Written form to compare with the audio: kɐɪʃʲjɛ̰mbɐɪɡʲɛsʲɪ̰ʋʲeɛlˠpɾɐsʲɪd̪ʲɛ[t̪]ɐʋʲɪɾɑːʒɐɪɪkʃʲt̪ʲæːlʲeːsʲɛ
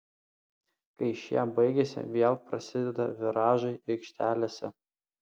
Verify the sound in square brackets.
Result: incorrect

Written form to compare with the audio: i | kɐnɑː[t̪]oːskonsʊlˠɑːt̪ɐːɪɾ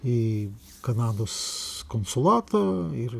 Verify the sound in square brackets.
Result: incorrect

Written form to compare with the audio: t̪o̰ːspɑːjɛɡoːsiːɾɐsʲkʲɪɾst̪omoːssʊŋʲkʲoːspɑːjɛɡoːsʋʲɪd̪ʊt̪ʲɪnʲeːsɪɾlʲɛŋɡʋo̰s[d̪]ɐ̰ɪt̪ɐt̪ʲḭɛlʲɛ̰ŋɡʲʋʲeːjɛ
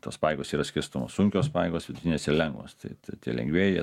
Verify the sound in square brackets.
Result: incorrect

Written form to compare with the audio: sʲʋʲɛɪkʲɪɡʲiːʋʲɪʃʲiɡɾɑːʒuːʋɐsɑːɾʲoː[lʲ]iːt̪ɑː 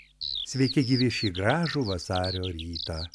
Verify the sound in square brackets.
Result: incorrect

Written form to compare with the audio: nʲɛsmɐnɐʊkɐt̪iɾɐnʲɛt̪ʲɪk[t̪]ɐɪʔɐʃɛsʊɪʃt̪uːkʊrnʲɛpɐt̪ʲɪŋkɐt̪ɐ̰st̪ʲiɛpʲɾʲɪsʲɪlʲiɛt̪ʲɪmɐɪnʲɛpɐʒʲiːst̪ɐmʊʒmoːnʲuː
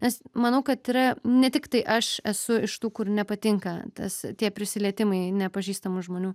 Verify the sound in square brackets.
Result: correct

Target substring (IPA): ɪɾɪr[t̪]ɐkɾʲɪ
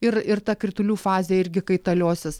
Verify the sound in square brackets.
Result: correct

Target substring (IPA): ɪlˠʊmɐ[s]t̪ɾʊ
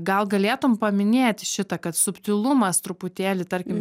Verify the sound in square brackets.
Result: correct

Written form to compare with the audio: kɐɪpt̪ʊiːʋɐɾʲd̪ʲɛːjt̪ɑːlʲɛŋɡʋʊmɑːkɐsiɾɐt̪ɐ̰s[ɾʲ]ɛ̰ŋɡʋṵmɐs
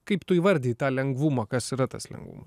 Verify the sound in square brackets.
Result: incorrect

